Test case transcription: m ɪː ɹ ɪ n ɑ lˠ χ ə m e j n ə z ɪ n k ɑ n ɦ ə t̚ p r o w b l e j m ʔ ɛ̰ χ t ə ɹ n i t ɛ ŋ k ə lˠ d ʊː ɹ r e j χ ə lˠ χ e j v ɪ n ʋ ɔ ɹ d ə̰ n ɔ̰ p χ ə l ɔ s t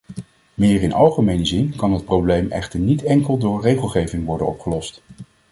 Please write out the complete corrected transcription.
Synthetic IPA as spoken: m ɪː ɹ ɪ n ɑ lˠ χ ə m e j n ə z ɪ n k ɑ n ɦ ə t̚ p r o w b l e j m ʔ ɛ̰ χ t ə ɹ n i t ɛ ŋ k ə lˠ d ʊː ɹ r e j χ ə lˠ χ e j v ɪ ŋ ʋ ɔ ɹ d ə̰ n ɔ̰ p χ ə l ɔ s t